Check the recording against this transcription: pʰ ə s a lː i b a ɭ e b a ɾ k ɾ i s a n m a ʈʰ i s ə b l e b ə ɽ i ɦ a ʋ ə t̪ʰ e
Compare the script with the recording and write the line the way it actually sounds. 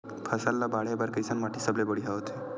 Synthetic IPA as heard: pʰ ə s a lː a b a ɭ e b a ɾ k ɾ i s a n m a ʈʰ i s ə b l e b ə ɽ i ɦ a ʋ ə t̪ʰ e